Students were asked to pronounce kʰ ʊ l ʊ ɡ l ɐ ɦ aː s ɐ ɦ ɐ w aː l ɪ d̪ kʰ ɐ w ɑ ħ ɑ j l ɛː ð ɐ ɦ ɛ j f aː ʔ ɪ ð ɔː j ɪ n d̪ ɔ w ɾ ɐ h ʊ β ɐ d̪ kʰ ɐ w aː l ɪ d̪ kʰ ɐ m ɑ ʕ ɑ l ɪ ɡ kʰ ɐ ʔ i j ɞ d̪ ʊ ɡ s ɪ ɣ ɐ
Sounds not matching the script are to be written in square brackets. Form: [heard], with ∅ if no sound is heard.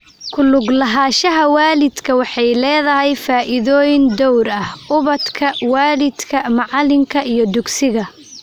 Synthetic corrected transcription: kʰ ʊ l ʊ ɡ l ɐ ɦ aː [ʃ] ɐ ɦ ɐ w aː l ɪ d̪ kʰ ɐ w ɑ ħ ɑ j l ɛː ð ɐ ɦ ɛ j f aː ʔ ɪ ð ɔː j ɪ n d̪ ɔ w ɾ ɐ h ʊ β ɐ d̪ kʰ ɐ w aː l ɪ d̪ kʰ ɐ m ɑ ʕ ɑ l ɪ [ŋ] kʰ ɐ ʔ i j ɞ d̪ ʊ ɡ s ɪ ɣ ɐ